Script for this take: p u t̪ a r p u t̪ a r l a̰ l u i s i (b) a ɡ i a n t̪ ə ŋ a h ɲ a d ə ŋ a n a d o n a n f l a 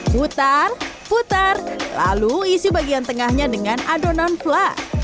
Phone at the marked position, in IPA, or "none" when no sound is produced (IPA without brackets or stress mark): b